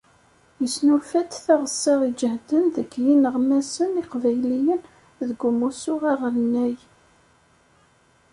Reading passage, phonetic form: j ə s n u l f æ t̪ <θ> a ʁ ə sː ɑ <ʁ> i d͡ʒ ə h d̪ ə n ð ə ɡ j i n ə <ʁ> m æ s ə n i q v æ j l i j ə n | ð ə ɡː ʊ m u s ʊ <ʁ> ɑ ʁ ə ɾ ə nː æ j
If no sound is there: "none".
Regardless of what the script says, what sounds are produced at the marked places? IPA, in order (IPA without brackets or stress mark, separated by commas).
θ, ʁ, ʁ, ʁ